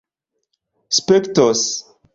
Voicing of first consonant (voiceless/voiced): voiceless